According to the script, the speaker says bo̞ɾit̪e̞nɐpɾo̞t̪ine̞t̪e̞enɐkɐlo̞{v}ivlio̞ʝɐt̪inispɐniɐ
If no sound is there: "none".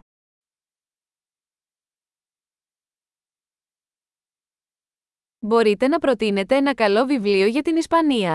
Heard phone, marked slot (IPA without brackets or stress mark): v